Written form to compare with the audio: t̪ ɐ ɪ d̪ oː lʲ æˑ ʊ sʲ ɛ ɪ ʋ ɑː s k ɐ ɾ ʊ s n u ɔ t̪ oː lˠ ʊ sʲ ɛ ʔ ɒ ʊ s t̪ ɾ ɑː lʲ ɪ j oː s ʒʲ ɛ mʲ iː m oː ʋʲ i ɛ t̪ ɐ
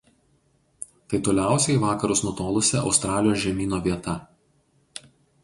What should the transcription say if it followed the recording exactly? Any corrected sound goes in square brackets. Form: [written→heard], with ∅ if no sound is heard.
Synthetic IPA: t̪ ɐ ɪ [d̪→t̪] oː lʲ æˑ ʊ sʲ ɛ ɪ ʋ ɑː [s→∅] k ɐ ɾ ʊ s n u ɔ t̪ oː lˠ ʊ sʲ ɛ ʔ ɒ ʊ s t̪ ɾ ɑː lʲ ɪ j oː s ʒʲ ɛ mʲ iː [m→n] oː ʋʲ i ɛ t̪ ɐ

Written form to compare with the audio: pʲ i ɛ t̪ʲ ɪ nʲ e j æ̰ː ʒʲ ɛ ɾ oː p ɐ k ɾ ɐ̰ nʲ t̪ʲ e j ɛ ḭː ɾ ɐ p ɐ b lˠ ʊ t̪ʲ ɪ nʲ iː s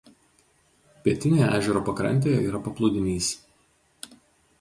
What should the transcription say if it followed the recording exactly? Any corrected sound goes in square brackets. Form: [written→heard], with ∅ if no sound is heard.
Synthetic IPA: pʲ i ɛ t̪ʲ ɪ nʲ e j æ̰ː ʒʲ ɛ ɾ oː p ɐ k ɾ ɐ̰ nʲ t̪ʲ e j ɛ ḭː ɾ ɐ p ɐ [b→p] lˠ ʊ [t̪ʲ→d̪ʲ] ɪ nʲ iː s

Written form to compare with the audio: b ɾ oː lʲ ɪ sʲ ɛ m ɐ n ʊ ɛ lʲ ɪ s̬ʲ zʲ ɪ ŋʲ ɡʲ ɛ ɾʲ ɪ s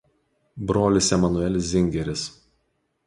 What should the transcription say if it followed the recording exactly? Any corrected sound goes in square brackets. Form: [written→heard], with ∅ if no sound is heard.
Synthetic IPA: b ɾ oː lʲ ɪ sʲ ɛ m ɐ n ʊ ɛ lʲ ɪ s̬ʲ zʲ ɪ ŋʲ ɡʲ ɛ ɾʲ ɪ s

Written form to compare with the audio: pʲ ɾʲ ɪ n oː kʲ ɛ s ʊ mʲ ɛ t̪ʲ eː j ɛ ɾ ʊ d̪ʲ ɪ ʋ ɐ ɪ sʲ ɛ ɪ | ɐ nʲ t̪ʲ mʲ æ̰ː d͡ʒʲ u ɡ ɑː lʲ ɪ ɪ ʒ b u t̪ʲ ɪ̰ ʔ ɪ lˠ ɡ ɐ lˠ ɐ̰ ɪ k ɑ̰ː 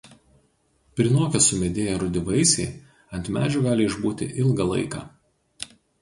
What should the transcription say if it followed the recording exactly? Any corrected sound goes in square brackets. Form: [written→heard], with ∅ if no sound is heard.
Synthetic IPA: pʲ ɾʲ ɪ n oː kʲ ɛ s ʊ mʲ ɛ [t̪ʲ→d̪ʲ] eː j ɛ ɾ ʊ d̪ʲ ɪ ʋ ɐ ɪ sʲ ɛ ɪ | ɐ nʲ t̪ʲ mʲ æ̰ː d͡ʒʲ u ɡ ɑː lʲ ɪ ɪ ʒ b [u→uː] t̪ʲ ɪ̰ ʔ ɪ lˠ ɡ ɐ lˠ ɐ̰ ɪ k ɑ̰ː

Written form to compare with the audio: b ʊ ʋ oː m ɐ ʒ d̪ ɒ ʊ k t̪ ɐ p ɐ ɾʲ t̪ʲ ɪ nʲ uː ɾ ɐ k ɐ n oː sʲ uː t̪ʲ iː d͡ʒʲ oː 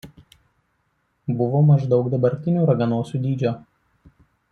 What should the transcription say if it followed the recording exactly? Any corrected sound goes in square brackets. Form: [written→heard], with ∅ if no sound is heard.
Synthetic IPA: b ʊ ʋ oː m ɐ ʒ d̪ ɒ ʊ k [t̪→d̪] ɐ [p→b] ɐ ɾʲ t̪ʲ ɪ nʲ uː ɾ ɐ [k→ɡ] ɐ n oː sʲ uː [t̪ʲ→d̪ʲ] iː d͡ʒʲ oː

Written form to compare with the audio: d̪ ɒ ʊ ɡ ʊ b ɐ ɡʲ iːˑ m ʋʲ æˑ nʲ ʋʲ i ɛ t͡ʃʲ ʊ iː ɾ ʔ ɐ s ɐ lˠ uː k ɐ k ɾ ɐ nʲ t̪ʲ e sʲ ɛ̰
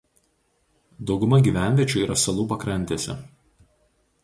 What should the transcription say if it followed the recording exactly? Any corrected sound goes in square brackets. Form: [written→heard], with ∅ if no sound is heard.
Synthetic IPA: d̪ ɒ ʊ ɡ ʊ [b→m] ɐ ɡʲ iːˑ [m→∅] ʋʲ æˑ nʲ ʋʲ i ɛ t͡ʃʲ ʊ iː ɾ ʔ ɐ s ɐ lˠ uː [k→p] ɐ k ɾ ɐ nʲ t̪ʲ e sʲ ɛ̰

